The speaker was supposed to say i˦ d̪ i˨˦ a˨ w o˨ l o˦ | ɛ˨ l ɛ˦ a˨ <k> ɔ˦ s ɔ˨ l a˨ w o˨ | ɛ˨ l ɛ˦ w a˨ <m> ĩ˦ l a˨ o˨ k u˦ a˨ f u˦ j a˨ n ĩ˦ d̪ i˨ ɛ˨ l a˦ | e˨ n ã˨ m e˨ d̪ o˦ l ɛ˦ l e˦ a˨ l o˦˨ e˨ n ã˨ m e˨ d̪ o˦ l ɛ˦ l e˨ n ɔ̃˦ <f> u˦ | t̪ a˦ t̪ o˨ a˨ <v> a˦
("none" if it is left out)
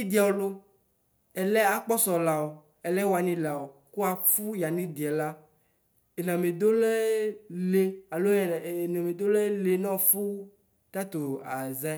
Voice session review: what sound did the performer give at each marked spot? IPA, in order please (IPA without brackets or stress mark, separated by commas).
k͡p, n, f, z